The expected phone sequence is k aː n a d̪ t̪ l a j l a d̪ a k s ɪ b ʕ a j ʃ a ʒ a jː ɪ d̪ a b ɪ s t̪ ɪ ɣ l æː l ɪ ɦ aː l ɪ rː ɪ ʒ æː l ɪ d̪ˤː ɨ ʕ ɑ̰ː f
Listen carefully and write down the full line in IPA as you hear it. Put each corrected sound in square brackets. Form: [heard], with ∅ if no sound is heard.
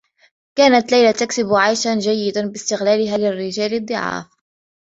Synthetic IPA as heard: k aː n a [∅] t̪ l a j l a [t̪] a k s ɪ b ʕ a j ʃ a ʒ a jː ɪ d̪ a b ɪ s t̪ ɪ ɣ l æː l ɪ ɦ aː l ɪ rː ɪ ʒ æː l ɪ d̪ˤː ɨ ʕ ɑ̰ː f

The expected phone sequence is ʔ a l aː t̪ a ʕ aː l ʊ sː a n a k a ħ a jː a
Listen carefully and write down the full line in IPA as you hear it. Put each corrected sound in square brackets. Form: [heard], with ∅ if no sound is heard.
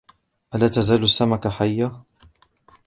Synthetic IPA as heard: ʔ a l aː t̪ a [z] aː l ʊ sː a [m] a k a ħ a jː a

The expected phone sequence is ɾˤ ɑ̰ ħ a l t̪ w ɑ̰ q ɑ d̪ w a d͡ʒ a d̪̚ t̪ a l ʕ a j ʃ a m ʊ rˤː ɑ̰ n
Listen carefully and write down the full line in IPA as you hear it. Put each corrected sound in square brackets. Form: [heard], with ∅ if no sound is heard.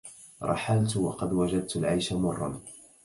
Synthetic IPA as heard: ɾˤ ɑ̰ ħ a l t̪ w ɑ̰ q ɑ d̪ w a d͡ʒ a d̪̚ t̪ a l ʕ a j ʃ a m ʊ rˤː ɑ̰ n

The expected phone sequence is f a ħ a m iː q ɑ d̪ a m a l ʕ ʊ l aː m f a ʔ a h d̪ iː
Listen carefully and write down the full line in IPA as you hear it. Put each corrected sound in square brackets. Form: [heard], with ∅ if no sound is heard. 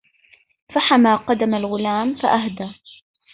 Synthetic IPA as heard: f a ħ a m [aː] q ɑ d̪ a m a l [ɣ] ʊ l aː m f a ʔ a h d̪ [aː]

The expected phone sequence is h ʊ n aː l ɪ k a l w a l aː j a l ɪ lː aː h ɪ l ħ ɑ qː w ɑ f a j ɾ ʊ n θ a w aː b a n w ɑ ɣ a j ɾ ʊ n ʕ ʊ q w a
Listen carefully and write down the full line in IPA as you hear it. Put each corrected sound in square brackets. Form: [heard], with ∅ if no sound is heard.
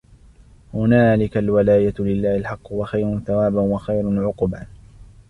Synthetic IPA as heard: h ʊ n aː l ɪ k a l w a l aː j a l ɪ lː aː h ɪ l ħ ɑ qː w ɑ [x] a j ɾ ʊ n θ a w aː b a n w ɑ [x] a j ɾ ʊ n ʕ ʊ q [b] a

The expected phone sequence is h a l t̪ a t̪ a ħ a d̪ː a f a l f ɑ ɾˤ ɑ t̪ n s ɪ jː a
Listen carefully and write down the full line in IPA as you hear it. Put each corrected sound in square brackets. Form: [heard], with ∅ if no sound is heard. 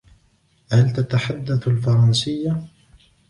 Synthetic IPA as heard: h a l t̪ a t̪ a ħ a d̪ː a [θ] a l f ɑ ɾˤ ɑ [∅] n s ɪ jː a

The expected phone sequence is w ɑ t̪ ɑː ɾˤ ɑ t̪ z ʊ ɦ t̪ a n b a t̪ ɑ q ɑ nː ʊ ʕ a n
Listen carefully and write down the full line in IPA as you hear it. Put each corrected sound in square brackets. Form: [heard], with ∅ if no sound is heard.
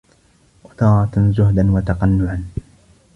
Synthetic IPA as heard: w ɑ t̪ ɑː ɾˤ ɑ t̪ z ʊ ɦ [d̪] a n [w] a t̪ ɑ q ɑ nː ʊ ʕ a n

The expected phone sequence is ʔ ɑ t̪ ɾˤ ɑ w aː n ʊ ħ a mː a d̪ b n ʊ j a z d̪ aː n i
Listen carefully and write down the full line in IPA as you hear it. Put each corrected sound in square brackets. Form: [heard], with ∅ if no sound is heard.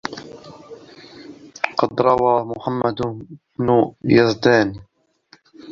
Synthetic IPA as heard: [q] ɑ [d̪] ɾˤ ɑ w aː [m] ʊ ħ a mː a d̪ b n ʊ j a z d̪ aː n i

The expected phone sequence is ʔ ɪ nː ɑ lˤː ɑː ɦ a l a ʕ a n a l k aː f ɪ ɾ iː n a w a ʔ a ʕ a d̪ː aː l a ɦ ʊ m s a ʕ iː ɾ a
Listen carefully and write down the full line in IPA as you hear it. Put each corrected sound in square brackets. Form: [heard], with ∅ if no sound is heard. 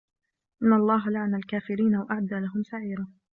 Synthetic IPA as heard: ʔ ɪ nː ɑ lˤː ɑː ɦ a l a ʕ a n a l k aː f ɪ ɾ iː n a w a ʔ a ʕ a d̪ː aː l a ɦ ʊ m s a ʕ iː ɾ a

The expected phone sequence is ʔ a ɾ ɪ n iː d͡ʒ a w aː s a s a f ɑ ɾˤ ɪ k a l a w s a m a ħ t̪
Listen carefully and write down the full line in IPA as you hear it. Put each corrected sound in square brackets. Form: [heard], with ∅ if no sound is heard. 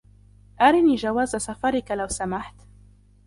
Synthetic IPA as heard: ʔ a ɾ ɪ n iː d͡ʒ a w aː [z] a s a f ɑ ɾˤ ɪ k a l a w s a m a ħ t̪

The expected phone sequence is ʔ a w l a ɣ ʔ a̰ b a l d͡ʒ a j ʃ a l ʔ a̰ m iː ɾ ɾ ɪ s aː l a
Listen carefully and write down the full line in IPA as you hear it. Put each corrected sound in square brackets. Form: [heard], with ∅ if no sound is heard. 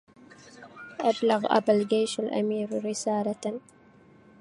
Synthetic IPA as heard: ʔ a [b] l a ɣ ʔ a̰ b a l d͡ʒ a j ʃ a l ʔ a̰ m iː ɾ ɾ ɪ s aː l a

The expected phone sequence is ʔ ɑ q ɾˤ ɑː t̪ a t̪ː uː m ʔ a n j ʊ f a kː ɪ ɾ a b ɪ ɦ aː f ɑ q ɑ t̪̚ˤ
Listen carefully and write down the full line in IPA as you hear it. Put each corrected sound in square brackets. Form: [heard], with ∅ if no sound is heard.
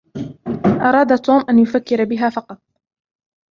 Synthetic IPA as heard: ʔ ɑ [∅] ɾˤ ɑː [d̪] a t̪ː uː m ʔ a n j ʊ f a kː ɪ ɾ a b ɪ ɦ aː f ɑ q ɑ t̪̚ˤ

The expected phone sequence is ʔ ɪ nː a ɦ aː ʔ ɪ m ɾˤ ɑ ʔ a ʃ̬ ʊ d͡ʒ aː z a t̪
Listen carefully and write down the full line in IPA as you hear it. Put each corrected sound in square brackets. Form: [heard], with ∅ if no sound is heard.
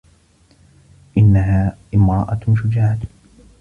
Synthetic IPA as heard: ʔ ɪ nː a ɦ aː ʔ ɪ m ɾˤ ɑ ʔ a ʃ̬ ʊ d͡ʒ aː [ʕ] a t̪

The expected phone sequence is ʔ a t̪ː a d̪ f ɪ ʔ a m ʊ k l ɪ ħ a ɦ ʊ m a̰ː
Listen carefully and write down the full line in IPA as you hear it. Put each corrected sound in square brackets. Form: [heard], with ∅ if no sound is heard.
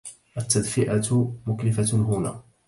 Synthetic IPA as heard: ʔ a t̪ː a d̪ f ɪ ʔ a m ʊ k l ɪ [f] a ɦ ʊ [n] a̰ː

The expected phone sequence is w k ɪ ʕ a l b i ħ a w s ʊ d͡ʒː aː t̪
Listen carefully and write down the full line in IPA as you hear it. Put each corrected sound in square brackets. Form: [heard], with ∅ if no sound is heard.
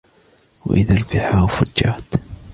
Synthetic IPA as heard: w [ʔ] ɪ [ð] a l b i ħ a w [f] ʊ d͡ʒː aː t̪

